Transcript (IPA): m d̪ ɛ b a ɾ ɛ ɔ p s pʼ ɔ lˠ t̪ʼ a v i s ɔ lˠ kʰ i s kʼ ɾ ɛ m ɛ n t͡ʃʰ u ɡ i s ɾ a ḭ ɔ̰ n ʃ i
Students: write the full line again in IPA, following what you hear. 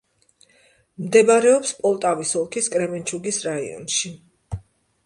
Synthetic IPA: m d̪ ɛ b a ɾ ɛ ɔ p s pʼ ɔ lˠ t̪ʼ a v i s ɔ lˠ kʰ i s kʼ ɾ ɛ m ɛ n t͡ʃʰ u ɡ i s ɾ a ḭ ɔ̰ n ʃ i